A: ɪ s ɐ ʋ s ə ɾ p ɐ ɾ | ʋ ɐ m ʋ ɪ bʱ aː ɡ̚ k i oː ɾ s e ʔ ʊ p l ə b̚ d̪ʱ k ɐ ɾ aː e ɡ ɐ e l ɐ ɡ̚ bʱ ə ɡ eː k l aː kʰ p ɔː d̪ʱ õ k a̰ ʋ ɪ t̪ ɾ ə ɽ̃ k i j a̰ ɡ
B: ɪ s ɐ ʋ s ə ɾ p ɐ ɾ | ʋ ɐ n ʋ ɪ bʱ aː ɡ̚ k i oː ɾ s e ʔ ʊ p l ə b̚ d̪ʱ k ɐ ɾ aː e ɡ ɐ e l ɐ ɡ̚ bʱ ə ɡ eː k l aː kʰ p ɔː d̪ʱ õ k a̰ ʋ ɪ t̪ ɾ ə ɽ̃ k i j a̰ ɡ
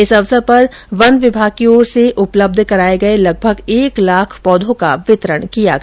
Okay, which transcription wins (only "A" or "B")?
B